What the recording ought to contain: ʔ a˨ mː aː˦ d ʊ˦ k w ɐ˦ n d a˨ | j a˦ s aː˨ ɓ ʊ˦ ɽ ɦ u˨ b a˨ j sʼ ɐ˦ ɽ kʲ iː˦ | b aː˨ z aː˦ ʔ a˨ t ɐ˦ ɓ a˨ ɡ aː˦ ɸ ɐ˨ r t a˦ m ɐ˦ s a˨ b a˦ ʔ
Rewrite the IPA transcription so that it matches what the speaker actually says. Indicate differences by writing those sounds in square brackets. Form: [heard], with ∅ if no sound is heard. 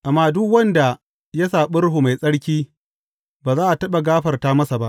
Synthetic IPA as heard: ʔ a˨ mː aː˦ d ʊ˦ k w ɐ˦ n d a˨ | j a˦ s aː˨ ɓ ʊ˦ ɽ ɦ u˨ [m] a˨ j sʼ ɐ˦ ɽ kʲ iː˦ | b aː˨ z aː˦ ʔ a˨ t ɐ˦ ɓ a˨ ɡ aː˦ ɸ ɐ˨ r t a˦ m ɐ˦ s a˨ b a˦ ʔ